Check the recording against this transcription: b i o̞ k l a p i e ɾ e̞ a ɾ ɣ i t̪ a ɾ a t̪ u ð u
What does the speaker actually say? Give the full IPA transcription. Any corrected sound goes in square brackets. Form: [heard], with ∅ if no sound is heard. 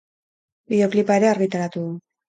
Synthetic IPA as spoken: b i o̞ k l [i] p [a] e ɾ e̞ a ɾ ɣ i t̪ a ɾ a t̪ u ð u